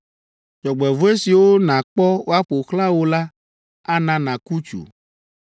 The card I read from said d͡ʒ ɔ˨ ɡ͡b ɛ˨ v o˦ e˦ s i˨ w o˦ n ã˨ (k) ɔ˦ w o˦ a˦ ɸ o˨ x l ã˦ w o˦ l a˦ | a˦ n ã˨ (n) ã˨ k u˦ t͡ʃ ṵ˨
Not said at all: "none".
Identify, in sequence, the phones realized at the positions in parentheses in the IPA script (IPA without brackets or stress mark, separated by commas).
k͡p, n